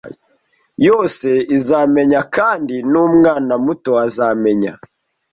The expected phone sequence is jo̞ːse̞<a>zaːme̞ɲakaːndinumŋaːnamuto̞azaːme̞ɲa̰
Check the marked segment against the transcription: incorrect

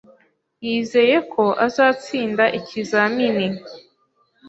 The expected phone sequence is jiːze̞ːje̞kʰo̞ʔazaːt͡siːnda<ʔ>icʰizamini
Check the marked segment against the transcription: correct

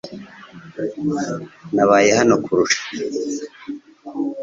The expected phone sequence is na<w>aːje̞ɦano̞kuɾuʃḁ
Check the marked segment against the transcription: incorrect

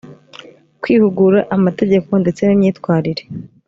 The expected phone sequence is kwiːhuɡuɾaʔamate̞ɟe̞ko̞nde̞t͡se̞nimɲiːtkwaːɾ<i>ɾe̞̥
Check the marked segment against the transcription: correct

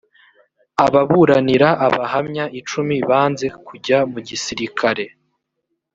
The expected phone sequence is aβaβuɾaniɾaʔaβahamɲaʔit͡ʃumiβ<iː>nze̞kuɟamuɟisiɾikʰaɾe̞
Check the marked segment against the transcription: incorrect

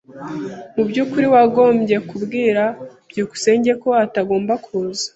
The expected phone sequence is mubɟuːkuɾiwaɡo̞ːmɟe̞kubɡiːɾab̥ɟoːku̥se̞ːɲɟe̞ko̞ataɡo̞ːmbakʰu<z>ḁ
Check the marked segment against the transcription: correct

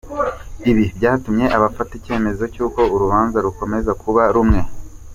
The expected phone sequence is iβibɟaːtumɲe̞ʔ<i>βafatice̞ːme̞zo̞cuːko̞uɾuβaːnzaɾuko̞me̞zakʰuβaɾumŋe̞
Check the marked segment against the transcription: incorrect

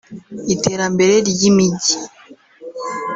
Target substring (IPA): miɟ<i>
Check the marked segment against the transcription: correct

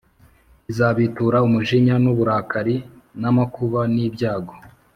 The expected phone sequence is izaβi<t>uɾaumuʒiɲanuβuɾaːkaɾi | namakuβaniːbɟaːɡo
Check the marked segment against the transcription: correct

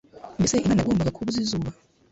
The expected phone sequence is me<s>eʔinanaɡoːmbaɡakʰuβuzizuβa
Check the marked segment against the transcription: correct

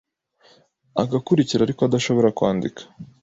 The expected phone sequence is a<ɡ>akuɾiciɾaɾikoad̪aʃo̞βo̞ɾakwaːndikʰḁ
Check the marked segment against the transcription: correct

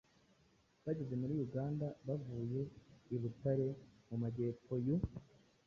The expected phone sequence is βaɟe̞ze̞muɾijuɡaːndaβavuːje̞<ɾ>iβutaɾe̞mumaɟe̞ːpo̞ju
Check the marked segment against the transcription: incorrect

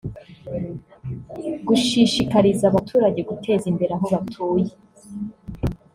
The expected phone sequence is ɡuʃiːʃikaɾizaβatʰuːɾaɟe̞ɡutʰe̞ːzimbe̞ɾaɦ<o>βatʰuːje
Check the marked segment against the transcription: correct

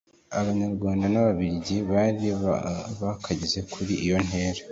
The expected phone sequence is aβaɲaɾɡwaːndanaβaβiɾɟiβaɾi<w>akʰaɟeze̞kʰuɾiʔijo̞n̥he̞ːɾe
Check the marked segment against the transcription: incorrect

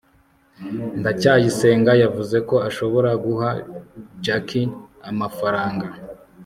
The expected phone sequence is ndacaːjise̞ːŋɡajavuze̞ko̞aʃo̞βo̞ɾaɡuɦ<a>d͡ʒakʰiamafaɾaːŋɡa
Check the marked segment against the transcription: correct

